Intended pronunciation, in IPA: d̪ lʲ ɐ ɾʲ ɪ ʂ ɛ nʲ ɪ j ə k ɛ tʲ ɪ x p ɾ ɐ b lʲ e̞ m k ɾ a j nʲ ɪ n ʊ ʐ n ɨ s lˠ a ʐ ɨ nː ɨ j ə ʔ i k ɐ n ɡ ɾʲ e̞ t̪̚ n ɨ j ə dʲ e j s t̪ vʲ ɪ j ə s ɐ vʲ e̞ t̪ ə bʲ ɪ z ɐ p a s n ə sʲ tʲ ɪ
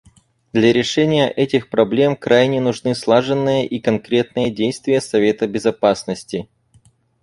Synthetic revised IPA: d̪ lʲ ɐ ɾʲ ɪ ʂ ɛ nʲ ɪ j ə ʔ ɛ tʲ ɪ x p ɾ ɐ b lʲ e̞ m k ɾ a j nʲ ɪ n ʊ ʐ n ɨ s lˠ a ʐ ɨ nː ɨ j ə ʔ i k ɐ n k ɾʲ e̞ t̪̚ n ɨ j ə dʲ e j s t̪ vʲ ɪ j ə s ɐ vʲ e̞ t̪ ə bʲ ɪ z ɐ p a s n ə sʲ tʲ ɪ

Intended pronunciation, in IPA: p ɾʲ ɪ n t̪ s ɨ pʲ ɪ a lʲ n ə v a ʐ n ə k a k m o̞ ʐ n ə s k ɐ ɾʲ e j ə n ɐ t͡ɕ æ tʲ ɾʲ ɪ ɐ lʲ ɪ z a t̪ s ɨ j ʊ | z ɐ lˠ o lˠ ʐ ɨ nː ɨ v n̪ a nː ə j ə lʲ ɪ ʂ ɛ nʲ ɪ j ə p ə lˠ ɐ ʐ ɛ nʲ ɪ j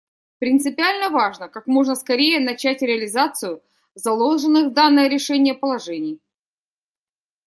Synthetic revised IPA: p ɾʲ ɪ n t̪ s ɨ pʲ ɪ a lʲ n ə v a ʐ n ə k a k m o̞ ʐ n ə s k ɐ ɾʲ e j ə n ɐ t͡ɕ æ tʲ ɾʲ ɪ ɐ lʲ ɪ z a t̪ s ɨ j ʊ | z ɐ lˠ o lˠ ʐ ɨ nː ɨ v d̪ a nː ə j ə ɾʲ ɪ ʂ ɛ nʲ ɪ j ə p ə lˠ ɐ ʐ ɛ nʲ ɪ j

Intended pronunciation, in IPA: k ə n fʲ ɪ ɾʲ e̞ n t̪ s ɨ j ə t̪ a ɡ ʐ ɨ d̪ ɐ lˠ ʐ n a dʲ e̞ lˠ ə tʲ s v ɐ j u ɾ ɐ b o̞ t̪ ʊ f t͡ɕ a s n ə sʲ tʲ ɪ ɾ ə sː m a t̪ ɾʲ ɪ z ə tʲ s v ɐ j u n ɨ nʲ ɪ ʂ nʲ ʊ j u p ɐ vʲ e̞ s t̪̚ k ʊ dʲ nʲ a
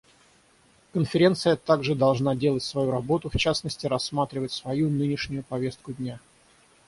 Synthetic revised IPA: k ə n fʲ ɪ ɾʲ e̞ n t̪ s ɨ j ə t̪ a ɡ ʐ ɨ d̪ ɐ lˠ ʐ n a dʲ e̞ lˠ ə tʲ s v ɐ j u ɾ ɐ b o̞ t̪ ʊ f t͡ɕ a s n ə sʲ tʲ ɪ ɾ ɐ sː m a t̪ ɾʲ ɪ v ə tʲ s v ɐ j u n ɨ nʲ ɪ ʂ nʲ ʊ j ʊ p ɐ vʲ e̞ s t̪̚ k ʊ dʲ nʲ a

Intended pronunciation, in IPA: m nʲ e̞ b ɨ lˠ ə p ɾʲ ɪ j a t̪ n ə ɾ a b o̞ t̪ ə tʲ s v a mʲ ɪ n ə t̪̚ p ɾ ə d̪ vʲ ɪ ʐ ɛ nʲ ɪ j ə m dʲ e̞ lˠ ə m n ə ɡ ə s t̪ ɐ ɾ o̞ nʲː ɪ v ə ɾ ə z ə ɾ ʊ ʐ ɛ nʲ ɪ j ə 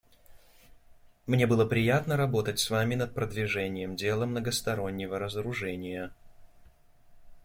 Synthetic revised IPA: m nʲ e̞ b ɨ lˠ ə p ɾʲ ɪ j a t̪ n ə ɾ ɐ b o̞ t̪ ə tʲ s v a mʲ ɪ n ə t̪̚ p ɾ ə d̪ vʲ ɪ ʐ ɛ nʲ ɪ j ə m dʲ e̞ lˠ ə m n ə ɡ ə s t̪ ɐ ɾ o̞ nʲː ɪ v ə ɾ ə z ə ɾ ʊ ʐ ɛ nʲ ɪ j ə

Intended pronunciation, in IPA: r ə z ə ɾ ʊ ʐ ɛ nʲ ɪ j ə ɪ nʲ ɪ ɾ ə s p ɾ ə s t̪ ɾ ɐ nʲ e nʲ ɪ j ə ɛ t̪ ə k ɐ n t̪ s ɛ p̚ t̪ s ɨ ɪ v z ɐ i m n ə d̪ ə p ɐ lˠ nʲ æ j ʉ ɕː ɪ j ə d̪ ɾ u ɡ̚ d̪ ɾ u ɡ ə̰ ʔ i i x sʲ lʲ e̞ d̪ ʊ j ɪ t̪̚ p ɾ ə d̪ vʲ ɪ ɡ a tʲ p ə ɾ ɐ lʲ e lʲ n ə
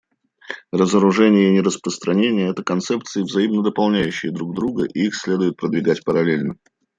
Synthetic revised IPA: r ə z ə ɾ ʊ ʐ ɛ nʲ ɪ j ə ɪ nʲ ɪ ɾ ə s p ɾ ə s t̪ ɾ ɐ nʲ e nʲ ɪ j ə ɛ t̪ ə k ɐ n t̪ s ɛ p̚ t̪ s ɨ ɪ v z ɐ i m n ə d̪ ə p ɐ lˠ nʲ æ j ʉ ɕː ɪ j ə d̪ ɾ u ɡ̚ d̪ ɾ u ɡ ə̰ ʔ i i x sʲ lʲ e̞ d̪ ʊ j ɪ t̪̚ p ɾ ə d̪ vʲ ɪ ɡ a tʲ p ə ɾ ɐ lʲ e lʲ n ə

